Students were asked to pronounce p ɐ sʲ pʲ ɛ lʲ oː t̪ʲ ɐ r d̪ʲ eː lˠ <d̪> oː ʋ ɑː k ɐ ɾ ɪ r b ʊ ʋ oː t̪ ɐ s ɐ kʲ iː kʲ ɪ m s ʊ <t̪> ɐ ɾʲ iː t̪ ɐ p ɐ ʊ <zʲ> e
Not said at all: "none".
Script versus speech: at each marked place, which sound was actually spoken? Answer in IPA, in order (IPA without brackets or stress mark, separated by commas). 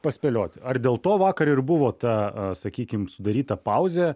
t̪, d̪, zʲ